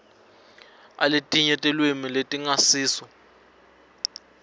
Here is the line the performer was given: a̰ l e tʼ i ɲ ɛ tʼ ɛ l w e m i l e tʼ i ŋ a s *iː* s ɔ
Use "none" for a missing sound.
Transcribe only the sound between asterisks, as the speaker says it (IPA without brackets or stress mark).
iː